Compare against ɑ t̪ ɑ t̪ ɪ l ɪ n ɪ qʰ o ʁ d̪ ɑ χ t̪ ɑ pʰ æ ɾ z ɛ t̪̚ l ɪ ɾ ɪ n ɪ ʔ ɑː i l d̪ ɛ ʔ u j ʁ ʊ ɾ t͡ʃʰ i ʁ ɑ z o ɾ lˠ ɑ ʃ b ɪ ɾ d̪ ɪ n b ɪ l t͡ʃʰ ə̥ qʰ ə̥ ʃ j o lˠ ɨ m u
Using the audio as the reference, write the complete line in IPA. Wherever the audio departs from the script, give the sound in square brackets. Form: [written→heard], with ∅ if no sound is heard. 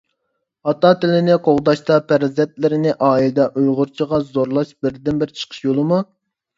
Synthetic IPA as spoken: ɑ t̪ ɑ t̪ ɪ l ɪ n ɪ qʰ o ʁ d̪ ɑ [χ→ʃ] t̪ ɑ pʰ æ ɾ z ɛ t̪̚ l ɪ ɾ ɪ n ɪ ʔ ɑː i l d̪ ɛ ʔ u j ʁ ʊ ɾ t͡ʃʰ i ʁ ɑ z o ɾ lˠ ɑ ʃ b ɪ ɾ d̪ ɪ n b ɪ [l→ɾ] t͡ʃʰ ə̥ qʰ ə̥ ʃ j o lˠ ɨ m u